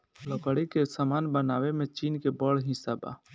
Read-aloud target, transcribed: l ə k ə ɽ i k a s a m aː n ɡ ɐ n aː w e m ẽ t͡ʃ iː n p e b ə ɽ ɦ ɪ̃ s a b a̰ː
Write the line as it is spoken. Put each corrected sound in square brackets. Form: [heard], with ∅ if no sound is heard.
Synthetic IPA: l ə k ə ɽ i k [e] s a m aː n [b] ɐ n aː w e m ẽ t͡ʃ iː n [k] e b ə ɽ ɦ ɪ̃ s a b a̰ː